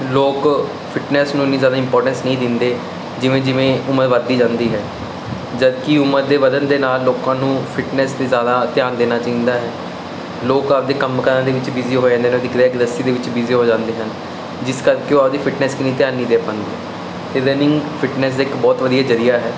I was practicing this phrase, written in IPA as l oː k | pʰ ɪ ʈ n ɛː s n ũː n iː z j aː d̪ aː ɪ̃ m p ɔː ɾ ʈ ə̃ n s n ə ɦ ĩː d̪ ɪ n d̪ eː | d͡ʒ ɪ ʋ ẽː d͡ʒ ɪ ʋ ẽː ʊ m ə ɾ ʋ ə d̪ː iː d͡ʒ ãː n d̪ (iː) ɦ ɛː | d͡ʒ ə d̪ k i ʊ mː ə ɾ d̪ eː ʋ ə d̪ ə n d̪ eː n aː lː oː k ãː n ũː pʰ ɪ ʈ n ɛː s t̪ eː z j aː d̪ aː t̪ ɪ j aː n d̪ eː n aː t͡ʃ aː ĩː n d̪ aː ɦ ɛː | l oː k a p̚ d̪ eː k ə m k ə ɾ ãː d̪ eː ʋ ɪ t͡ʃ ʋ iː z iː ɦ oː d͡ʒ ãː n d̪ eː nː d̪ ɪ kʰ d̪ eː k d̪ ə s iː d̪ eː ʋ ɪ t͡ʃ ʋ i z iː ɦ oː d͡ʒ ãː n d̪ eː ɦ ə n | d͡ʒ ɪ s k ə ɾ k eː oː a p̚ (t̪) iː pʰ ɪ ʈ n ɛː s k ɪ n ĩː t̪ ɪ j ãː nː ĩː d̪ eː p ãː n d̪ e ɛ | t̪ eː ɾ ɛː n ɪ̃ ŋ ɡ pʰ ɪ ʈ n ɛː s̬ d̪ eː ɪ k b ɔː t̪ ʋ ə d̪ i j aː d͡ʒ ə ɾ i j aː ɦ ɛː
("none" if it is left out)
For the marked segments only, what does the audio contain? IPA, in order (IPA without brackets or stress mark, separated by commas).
iː, d̪